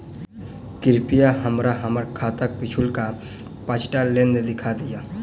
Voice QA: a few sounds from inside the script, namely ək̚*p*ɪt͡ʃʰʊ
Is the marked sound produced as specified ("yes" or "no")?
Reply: yes